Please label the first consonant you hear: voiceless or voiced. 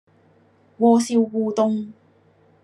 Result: voiced